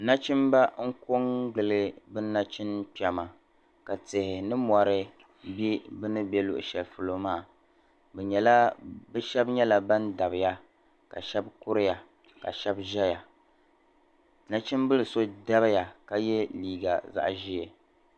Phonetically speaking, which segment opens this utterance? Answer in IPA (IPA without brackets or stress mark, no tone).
n